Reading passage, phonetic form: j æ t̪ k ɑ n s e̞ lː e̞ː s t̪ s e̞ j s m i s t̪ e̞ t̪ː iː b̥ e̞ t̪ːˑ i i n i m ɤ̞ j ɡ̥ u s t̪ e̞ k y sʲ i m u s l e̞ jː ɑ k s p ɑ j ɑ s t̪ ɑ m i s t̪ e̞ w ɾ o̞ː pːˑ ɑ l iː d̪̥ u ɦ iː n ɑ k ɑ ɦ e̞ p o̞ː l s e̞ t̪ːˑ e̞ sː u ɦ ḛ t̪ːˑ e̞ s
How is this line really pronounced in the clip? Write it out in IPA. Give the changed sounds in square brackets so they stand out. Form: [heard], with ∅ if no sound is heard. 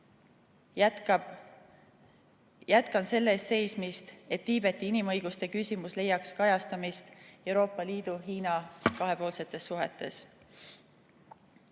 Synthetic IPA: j æ t̪ k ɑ n s e̞ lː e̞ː s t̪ s e̞ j s m i s t̪ e̞ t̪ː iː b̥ e̞ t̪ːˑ i i n i m ɤ̞ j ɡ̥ u s t̪ e̞ k y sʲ i m u s l e̞ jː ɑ k s [k] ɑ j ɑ s t̪ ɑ m i s t̪ e̞ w ɾ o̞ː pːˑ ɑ l iː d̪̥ u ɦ iː n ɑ k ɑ ɦ e̞ p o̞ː l s e̞ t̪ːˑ e̞ sː u ɦ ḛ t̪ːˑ e̞ s